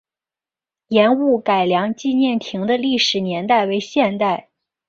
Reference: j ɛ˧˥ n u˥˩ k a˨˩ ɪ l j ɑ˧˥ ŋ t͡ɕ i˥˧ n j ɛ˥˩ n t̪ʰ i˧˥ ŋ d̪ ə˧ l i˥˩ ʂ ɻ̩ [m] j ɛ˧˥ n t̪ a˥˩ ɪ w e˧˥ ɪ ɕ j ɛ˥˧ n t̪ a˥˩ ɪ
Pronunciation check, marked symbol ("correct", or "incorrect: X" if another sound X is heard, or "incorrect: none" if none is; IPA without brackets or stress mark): incorrect: n